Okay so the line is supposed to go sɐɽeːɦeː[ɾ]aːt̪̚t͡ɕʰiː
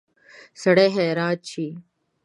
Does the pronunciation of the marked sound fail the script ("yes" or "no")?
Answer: no